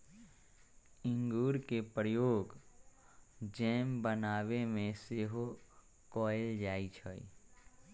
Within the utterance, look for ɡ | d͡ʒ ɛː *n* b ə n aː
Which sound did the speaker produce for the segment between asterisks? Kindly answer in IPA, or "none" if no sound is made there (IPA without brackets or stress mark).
m